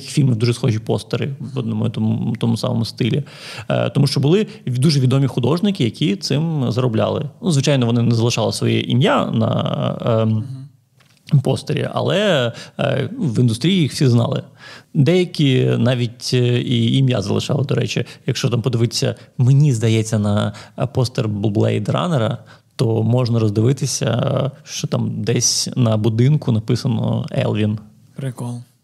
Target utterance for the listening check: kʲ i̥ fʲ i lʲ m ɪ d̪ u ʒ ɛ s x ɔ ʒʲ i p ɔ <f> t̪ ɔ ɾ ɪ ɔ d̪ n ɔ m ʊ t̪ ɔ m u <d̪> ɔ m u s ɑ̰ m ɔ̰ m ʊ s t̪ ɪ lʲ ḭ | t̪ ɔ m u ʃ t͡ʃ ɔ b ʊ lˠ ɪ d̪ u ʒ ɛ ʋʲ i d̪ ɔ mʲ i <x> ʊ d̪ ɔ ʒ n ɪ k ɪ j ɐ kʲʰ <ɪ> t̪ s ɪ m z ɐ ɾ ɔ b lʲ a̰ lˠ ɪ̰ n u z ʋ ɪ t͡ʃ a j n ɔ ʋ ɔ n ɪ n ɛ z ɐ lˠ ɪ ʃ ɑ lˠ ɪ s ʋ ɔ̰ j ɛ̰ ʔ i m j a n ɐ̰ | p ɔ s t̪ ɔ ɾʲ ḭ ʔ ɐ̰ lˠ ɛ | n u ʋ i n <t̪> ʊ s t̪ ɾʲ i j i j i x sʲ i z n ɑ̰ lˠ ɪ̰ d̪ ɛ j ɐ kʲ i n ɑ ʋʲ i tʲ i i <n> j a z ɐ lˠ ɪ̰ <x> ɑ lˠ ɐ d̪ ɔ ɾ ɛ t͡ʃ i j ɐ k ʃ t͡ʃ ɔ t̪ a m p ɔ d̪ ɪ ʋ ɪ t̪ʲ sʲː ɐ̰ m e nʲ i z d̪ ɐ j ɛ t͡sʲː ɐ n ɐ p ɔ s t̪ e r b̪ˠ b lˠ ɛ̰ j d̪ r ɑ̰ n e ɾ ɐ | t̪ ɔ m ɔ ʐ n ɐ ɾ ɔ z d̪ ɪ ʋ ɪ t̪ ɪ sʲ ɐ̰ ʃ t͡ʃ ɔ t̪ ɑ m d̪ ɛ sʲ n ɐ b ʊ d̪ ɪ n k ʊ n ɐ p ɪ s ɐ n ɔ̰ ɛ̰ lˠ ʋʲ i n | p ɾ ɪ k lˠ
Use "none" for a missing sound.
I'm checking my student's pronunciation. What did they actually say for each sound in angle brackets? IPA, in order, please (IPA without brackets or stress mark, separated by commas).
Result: s, t̪, x, i, d̪, m, ʃ